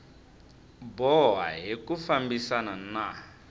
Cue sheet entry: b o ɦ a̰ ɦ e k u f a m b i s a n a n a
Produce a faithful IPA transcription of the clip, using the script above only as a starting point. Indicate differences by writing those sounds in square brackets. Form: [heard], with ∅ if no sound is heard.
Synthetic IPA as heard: b [ɔ] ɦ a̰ ɦ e k u f a m b i s a n a n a